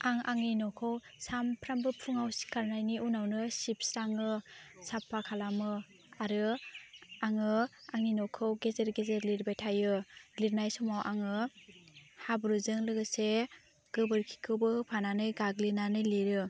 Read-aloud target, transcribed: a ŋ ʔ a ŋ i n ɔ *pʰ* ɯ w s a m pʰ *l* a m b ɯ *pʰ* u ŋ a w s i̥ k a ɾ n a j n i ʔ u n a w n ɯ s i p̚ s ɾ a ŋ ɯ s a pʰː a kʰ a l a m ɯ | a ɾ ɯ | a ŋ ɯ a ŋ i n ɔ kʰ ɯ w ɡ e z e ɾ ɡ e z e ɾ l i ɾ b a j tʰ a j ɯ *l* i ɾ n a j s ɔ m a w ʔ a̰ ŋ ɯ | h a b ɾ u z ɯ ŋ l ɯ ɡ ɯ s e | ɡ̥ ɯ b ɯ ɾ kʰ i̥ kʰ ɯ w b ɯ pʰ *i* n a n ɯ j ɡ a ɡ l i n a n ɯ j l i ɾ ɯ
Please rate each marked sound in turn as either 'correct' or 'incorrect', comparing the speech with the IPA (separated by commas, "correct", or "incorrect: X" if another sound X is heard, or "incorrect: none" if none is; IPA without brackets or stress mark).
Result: incorrect: kʰ, incorrect: ɾ, correct, correct, incorrect: a